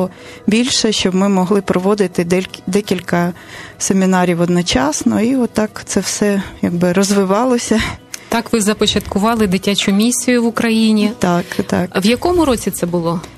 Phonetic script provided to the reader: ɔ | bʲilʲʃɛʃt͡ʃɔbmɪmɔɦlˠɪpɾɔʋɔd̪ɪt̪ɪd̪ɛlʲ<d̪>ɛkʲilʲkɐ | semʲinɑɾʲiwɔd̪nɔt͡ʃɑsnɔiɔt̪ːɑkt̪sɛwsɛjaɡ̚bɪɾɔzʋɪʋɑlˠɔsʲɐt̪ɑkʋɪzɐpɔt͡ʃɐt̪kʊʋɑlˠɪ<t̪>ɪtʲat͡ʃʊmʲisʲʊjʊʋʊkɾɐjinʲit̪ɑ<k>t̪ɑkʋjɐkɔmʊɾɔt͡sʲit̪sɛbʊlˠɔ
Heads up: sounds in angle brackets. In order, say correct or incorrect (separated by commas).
correct, incorrect, correct